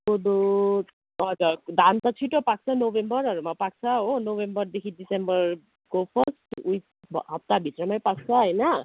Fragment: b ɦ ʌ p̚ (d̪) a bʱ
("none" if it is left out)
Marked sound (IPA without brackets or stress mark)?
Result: t̪